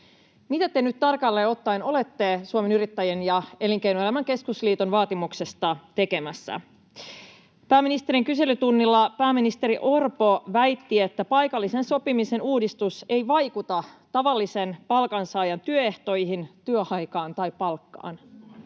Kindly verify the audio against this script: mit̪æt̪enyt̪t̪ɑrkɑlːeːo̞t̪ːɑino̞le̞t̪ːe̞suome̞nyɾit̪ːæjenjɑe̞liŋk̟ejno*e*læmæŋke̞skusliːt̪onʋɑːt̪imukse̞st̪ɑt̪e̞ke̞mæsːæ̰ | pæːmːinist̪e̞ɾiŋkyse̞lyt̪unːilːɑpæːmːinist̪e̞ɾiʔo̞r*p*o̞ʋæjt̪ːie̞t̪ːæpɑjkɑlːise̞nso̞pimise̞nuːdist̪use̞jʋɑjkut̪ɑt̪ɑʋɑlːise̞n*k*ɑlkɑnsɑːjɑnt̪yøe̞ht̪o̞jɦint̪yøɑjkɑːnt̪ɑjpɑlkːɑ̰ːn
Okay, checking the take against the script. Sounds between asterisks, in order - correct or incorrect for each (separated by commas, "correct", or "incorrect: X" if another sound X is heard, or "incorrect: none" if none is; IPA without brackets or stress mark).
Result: correct, correct, incorrect: p